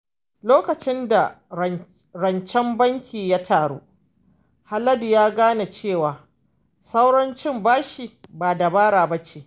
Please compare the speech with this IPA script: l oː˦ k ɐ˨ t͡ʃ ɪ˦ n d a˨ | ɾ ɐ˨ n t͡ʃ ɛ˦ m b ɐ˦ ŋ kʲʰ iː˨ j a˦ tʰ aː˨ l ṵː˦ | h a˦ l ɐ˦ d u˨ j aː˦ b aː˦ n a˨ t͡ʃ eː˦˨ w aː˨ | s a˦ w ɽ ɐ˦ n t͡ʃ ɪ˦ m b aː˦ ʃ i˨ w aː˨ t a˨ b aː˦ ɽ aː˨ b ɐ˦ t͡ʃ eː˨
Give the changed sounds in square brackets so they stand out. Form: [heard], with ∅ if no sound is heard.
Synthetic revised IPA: l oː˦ k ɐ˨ t͡ʃ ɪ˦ n d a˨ | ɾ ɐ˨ n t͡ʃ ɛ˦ m b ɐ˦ ŋ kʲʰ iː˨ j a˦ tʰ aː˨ [ɽ] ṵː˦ | h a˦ l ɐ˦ d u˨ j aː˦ [ɡ] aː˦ n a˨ t͡ʃ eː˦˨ w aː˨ | s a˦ w ɽ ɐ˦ n t͡ʃ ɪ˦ m b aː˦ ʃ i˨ [b] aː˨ [d] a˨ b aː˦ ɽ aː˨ b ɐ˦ t͡ʃ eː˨